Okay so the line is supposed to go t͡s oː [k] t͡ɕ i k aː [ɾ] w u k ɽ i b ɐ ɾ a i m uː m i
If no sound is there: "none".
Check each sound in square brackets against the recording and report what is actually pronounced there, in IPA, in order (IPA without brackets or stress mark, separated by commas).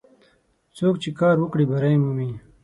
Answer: k, ɾ